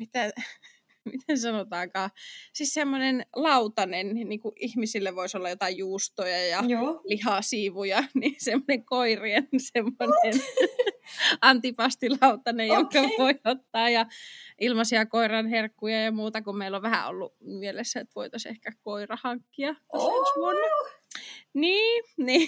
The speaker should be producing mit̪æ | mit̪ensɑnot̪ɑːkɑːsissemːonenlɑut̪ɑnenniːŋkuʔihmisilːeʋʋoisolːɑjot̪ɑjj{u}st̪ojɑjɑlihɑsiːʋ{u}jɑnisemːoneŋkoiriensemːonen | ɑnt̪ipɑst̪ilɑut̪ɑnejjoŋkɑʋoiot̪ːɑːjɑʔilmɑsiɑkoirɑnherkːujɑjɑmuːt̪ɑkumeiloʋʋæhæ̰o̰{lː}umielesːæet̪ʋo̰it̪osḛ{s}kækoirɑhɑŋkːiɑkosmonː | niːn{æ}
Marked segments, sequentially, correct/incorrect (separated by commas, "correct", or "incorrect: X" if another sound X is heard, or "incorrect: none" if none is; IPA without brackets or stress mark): incorrect: uː, correct, correct, incorrect: h, incorrect: i